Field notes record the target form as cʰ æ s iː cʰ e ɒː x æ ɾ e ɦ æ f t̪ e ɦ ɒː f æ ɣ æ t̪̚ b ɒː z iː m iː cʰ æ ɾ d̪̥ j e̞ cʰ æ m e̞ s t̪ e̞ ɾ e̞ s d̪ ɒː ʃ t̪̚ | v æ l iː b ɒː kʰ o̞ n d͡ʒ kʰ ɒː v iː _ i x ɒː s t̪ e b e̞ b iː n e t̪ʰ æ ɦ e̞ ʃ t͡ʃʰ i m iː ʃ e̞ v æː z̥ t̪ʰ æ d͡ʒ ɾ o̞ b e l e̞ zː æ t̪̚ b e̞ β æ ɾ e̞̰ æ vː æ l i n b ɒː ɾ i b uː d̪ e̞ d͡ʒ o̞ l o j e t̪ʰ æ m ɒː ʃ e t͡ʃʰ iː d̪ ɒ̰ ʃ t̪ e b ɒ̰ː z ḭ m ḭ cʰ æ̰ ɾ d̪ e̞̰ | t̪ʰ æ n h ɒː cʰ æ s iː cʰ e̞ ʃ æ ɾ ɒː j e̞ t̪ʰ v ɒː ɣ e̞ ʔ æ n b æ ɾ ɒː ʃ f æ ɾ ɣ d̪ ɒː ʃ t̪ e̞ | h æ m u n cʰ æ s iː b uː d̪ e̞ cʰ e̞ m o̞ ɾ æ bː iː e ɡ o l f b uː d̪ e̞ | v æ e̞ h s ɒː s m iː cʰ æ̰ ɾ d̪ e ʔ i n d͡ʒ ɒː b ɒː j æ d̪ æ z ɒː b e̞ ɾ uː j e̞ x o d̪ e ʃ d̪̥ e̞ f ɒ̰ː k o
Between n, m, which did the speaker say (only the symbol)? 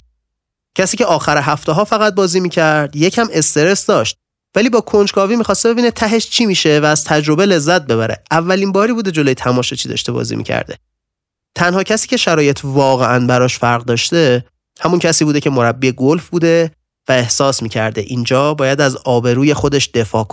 m